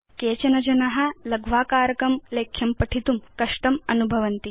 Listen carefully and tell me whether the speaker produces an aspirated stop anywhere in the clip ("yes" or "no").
yes